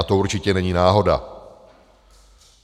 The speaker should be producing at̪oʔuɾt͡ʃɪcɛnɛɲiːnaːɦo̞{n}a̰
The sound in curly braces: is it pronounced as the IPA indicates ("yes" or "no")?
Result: no